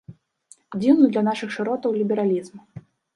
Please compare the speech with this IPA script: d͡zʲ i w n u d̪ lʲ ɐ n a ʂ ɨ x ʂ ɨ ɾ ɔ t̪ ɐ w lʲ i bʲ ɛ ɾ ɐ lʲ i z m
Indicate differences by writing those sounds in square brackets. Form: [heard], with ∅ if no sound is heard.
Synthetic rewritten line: d͡zʲ i w n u d̪ lʲ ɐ n a ʂ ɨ x ʂ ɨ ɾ ɔ t̪ ɐ w lʲ i bʲ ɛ ɾ [a] lʲ i z m